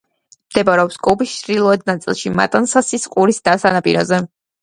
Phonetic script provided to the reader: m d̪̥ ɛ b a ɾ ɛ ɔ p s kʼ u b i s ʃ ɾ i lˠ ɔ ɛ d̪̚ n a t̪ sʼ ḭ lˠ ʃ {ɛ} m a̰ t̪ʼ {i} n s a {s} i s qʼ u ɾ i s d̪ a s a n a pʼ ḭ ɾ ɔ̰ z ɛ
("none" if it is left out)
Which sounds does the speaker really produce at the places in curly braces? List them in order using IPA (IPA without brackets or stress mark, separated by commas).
i, a, s